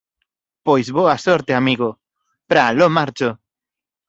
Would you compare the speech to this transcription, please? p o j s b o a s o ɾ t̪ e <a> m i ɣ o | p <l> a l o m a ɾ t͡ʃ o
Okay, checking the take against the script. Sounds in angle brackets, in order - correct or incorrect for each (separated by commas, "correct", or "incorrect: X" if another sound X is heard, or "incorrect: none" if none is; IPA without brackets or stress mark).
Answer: correct, incorrect: ɾ